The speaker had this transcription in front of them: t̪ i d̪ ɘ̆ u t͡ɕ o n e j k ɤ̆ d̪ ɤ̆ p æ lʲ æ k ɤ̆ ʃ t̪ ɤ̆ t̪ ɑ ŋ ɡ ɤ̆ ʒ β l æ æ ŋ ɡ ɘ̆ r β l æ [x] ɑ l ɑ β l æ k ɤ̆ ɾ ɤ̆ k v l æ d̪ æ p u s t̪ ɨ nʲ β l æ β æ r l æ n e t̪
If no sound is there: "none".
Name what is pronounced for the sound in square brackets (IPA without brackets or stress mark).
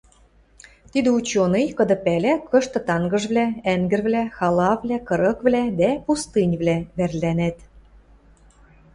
x